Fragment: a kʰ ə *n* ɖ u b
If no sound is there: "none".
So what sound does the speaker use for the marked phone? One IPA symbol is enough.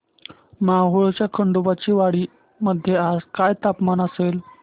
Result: ɳ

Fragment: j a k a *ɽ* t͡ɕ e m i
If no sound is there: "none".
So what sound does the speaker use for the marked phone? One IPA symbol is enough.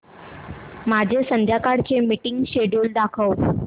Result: ɽ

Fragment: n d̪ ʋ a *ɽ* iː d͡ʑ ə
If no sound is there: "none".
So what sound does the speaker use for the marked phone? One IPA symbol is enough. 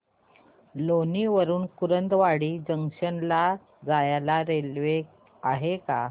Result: ɽ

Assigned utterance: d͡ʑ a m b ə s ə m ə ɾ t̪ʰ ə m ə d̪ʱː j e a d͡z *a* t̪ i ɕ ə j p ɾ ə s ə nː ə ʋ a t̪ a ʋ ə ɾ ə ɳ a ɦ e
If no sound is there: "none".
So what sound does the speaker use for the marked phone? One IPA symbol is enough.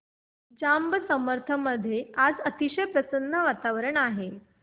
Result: ə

